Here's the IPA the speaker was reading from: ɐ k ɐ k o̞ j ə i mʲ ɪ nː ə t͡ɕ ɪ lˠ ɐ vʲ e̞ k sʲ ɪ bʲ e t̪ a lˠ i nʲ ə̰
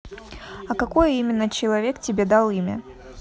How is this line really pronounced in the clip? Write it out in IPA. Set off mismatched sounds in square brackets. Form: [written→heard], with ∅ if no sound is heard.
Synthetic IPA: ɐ k ɐ k o̞ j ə i mʲ ɪ nː ə t͡ɕ ɪ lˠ ɐ vʲ e̞ k [sʲ→tʲ] ɪ bʲ e [t̪→d̪] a lˠ i [nʲ→mʲ] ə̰